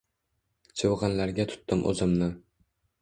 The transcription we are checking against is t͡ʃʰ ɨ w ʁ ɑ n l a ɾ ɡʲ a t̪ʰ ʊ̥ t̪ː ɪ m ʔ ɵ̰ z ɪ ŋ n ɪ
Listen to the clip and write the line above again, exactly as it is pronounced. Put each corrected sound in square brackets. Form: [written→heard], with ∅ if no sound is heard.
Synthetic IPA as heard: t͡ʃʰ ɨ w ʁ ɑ n l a ɾ ɡʲ a t̪ʰ ʊ̥ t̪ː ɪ m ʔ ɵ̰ z ɪ [ŋ→m] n ɪ